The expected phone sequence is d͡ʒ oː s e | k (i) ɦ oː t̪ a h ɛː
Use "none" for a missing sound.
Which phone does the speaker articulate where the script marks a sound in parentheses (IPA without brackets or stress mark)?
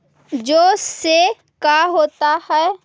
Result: a